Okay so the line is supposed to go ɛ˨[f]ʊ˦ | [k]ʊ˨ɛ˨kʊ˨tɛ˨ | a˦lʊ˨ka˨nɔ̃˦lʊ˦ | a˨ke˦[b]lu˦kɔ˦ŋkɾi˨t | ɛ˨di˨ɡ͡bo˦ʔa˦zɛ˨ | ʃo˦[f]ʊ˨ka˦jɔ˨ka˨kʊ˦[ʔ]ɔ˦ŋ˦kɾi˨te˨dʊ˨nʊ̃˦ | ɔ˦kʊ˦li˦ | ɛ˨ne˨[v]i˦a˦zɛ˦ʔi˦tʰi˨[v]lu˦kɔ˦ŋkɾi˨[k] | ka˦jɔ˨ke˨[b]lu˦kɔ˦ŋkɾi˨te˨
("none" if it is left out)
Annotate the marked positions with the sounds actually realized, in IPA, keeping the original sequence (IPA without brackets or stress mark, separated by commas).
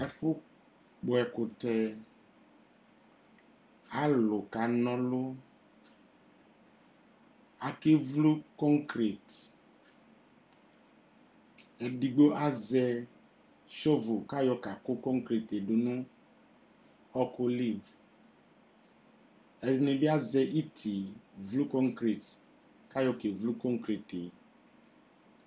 f, k͡p, v, v, k, b, v, t, v